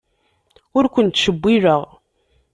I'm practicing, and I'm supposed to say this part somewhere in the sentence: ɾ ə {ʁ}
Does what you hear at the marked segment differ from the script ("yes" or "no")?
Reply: no